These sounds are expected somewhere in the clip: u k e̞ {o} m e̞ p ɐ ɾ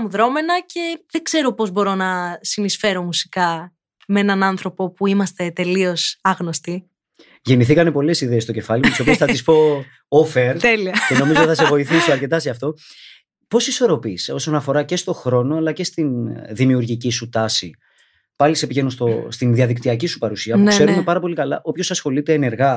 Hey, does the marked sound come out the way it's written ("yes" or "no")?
no